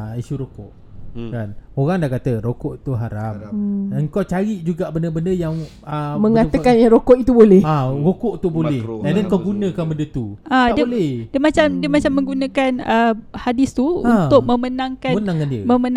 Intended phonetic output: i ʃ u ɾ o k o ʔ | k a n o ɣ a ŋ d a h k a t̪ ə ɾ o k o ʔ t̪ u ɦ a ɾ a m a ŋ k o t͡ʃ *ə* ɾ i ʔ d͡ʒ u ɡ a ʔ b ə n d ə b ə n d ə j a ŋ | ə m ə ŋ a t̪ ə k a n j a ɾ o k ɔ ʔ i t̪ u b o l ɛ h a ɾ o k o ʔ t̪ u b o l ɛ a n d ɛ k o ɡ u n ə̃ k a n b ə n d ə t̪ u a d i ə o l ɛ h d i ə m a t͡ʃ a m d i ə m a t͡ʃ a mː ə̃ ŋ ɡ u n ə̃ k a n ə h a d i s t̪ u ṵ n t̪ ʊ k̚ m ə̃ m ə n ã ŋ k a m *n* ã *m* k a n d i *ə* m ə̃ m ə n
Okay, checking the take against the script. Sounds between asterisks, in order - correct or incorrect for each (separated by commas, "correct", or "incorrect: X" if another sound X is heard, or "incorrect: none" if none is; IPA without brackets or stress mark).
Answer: incorrect: a, correct, incorrect: ŋ, correct